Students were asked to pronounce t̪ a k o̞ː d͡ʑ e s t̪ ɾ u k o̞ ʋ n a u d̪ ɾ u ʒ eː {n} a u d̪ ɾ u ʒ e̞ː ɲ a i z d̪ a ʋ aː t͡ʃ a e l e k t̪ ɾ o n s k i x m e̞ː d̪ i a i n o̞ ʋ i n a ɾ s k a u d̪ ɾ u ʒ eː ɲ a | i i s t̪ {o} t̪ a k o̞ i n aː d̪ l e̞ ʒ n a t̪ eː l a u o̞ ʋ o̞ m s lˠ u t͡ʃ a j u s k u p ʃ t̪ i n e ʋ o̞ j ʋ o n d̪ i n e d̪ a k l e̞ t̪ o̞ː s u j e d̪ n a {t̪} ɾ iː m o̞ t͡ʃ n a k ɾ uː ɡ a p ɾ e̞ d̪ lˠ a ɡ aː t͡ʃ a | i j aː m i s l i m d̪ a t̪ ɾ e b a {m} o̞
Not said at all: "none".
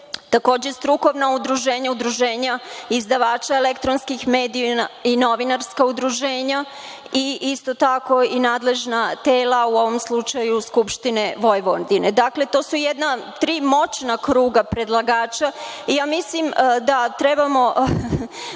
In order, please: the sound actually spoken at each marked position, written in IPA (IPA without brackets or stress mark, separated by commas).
ɲ, o, t̪, m